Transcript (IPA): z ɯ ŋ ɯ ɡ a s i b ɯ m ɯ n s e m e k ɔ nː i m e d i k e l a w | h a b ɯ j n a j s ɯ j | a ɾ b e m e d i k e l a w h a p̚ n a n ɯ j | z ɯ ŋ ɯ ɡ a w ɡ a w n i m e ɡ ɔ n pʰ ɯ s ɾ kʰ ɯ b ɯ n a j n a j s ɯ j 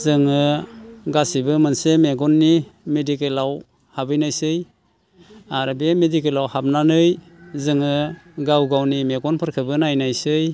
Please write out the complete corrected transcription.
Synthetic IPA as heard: z ɯ ŋ ɯ ɡ a s i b ɯ m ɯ n s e m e ɡ ɔ nː i m e d i k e l a w | h a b ɯ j n a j s ɯ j | a ɾ b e m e d i k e l a w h a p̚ n a n ɯ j | z ɯ ŋ ɯ ɡ a w ɡ a w n i m e ɡ ɔ n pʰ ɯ ɾ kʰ ɯ b ɯ n a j n a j s ɯ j

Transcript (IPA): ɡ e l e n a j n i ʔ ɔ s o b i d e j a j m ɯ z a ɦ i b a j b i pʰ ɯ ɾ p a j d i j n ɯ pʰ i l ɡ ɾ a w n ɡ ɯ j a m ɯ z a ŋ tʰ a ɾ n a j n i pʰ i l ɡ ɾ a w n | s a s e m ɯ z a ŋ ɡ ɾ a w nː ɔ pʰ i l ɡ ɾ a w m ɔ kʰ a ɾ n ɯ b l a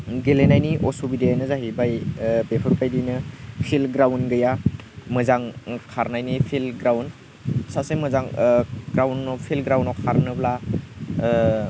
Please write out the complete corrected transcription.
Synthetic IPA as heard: ɡ e l e n a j n i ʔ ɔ s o b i d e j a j n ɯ z a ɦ i b a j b e pʰ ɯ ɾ p a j d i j n ɯ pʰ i l ɡ ɾ a w n ɡ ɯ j a m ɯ z a ŋ kʰ a ɾ n a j n i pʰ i l ɡ ɾ a w n | s a s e m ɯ z a ŋ ɡ ɾ a w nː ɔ pʰ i l ɡ ɾ a w n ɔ kʰ a ɾ n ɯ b l a

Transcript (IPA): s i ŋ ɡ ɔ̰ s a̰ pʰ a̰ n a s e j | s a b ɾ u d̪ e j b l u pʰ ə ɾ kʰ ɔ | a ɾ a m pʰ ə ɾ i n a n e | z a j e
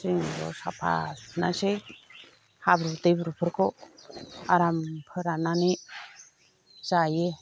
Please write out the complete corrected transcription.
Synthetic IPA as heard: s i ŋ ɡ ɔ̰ s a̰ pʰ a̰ n a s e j | h a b ɾ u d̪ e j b ɾ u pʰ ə ɾ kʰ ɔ | a ɾ a m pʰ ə ɾ a n a n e | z a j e

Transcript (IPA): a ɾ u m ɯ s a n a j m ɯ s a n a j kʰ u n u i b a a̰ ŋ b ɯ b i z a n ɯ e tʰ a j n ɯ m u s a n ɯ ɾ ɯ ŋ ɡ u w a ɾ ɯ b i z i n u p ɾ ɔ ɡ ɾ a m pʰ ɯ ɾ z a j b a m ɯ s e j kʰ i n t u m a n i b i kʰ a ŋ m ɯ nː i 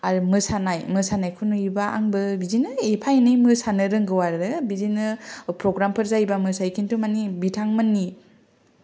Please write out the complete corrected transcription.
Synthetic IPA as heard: a ɾ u m ɯ s a n a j m ɯ s a n a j kʰ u n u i b a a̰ ŋ b ɯ b i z i n ɯ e pʰ a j n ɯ m ɯ s a n ɯ ɾ ɯ ŋ ɡ ɯ w a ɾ ɯ b i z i n ɯ p ɾ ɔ ɡ ɾ a m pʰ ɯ ɾ z a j b a m ɯ s a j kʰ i n t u m a n i b i tʰ a ŋ m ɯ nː i

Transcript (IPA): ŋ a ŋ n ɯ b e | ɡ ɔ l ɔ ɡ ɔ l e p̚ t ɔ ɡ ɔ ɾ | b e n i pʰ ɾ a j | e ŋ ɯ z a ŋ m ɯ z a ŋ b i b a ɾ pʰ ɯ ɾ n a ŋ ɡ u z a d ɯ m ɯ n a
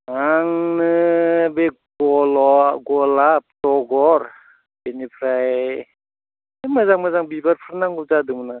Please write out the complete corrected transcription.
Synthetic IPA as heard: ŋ a ŋ n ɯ b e | ɡ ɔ l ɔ ɡ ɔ l a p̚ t ɔ ɡ ɔ ɾ | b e n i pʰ ɾ a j | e m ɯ z a ŋ m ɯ z a ŋ b i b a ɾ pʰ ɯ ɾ n a ŋ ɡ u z a d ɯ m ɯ n a

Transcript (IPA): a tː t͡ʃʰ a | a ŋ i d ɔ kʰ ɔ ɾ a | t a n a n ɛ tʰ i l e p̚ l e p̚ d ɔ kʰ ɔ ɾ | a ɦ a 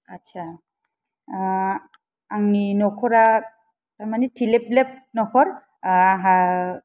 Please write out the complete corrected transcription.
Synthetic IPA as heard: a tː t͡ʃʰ a | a ŋ i n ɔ kʰ ɔ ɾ a | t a m a n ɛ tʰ i l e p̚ l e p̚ n ɔ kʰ ɔ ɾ | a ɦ a

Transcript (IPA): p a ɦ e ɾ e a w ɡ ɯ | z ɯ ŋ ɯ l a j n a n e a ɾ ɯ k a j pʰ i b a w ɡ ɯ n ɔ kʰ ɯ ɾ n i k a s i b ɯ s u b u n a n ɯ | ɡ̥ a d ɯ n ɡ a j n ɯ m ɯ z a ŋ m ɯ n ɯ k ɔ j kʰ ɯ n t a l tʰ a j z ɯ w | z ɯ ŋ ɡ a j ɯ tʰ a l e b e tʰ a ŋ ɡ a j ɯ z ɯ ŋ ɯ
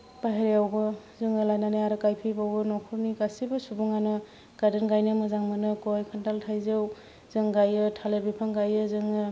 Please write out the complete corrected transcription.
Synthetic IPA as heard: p a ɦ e ɾ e a w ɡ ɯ | z ɯ ŋ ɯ l a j n a n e a ɾ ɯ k a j pʰ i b a w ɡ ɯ n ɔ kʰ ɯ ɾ n i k a s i b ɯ s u b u ŋ a n ɯ | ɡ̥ a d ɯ n ɡ a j n ɯ m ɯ z a ŋ m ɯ n ɯ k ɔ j kʰ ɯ n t a l tʰ a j z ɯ w | z ɯ ŋ ɡ a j ɯ tʰ a l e b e pʰ a ŋ ɡ a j ɯ z ɯ ŋ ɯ

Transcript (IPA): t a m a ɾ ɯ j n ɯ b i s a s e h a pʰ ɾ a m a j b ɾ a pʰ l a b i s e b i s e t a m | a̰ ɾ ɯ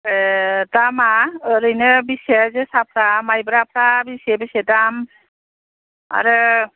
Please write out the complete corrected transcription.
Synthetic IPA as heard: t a m a ɾ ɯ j n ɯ b i s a z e s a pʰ ɾ a m a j b ɾ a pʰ ɾ a b i s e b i s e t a m | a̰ ɾ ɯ

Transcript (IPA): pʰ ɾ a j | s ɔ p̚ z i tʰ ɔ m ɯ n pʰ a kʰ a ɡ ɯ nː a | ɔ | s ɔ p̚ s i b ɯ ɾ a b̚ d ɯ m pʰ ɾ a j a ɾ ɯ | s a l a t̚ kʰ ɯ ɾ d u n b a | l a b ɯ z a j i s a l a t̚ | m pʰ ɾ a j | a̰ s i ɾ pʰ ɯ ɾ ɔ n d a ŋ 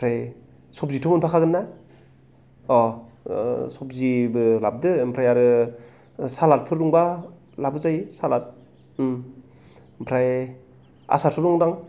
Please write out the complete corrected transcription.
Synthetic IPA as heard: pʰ ɾ a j | s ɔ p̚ z i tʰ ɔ m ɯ n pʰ a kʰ a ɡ ɯ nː a | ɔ | s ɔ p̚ z i b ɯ l a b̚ d ɯ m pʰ ɾ a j a ɾ ɯ | s a l a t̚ pʰ ɯ ɾ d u ŋ b a | l a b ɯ z a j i s a l a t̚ | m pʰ ɾ a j | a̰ s a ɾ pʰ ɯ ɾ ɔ ŋ d a ŋ

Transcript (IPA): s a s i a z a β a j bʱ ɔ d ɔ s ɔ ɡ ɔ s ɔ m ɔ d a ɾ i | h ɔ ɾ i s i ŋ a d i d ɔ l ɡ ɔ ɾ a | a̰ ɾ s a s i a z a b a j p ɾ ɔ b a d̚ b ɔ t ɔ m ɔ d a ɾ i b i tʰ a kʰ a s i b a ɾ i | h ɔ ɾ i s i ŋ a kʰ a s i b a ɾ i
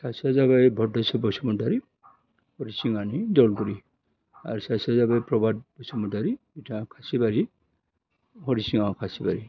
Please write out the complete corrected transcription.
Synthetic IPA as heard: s a s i a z a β a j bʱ ɔ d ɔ s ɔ b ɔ s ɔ m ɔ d a ɾ i | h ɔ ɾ i s i ŋ a n i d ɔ l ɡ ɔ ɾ i | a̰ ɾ s a s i a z a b a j p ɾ ɔ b a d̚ b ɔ s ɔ m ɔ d a ɾ i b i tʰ a kʰ a s i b a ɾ i | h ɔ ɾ i s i ŋ a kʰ a s i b a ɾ i

